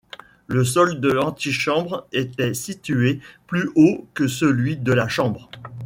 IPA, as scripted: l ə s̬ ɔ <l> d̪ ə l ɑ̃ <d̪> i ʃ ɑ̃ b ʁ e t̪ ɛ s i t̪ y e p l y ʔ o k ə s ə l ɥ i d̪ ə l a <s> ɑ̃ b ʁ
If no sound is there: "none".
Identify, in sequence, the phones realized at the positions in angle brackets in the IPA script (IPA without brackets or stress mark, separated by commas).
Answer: l, t̪, ʃ